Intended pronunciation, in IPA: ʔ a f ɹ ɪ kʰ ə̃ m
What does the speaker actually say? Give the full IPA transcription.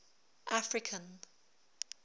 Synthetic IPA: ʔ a f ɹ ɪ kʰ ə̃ n

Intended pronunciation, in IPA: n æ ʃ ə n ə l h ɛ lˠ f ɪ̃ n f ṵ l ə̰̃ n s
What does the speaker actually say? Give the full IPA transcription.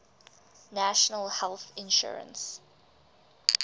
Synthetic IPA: n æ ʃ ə n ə l h ɛ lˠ θ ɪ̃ n ʃ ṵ ɹ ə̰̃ n s

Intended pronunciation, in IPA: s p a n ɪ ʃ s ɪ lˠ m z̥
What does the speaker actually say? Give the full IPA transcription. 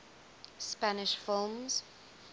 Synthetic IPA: s p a n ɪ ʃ f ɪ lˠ m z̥

